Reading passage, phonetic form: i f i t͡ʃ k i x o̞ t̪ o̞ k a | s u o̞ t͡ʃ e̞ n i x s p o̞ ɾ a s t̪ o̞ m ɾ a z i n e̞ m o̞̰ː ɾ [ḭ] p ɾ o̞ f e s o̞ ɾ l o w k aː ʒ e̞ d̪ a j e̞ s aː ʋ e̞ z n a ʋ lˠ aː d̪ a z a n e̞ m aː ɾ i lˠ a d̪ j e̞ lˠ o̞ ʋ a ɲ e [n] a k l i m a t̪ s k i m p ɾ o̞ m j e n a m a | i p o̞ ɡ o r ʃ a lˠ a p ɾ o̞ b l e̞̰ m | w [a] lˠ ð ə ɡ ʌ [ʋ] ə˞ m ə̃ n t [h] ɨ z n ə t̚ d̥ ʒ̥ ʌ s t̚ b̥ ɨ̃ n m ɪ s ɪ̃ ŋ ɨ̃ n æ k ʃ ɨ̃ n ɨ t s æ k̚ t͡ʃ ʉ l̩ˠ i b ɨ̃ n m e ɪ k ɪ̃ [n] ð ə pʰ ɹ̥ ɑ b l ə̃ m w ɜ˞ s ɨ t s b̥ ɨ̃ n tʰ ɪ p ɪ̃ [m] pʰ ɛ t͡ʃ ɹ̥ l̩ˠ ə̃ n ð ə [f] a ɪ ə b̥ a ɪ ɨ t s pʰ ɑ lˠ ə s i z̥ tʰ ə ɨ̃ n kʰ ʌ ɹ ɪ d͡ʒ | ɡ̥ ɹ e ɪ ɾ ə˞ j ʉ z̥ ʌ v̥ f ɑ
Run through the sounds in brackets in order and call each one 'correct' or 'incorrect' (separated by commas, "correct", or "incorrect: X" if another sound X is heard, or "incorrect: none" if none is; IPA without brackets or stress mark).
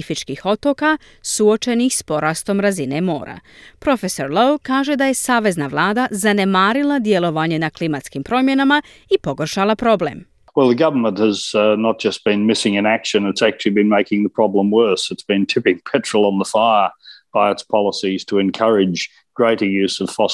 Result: incorrect: a̰, correct, incorrect: ɛ, incorrect: v, correct, incorrect: ŋ, incorrect: ŋ, correct